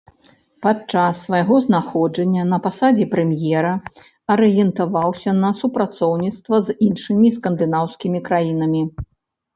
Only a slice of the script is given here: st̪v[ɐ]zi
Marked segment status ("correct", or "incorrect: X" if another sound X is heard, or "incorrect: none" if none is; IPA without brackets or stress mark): correct